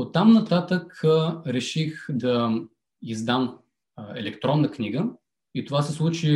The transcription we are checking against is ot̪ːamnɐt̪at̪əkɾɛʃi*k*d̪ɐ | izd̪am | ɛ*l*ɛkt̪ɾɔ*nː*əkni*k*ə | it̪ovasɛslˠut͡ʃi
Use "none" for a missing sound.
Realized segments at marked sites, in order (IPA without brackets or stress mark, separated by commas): x, l, nː, ɡ